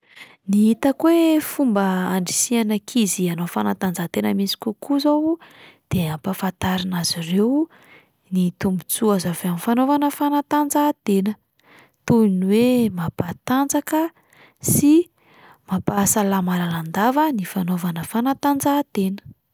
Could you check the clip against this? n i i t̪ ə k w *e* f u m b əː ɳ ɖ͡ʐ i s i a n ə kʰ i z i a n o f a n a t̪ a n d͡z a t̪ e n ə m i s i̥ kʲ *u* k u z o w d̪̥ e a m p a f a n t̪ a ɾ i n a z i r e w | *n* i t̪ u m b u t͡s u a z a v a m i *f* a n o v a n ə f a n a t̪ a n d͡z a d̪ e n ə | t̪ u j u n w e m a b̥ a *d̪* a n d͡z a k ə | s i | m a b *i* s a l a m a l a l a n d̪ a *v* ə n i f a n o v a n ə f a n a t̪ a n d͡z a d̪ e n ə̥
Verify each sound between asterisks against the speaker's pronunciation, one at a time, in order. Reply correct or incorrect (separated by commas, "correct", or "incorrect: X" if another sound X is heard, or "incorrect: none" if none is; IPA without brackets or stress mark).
correct, correct, correct, correct, incorrect: t̪, incorrect: a, correct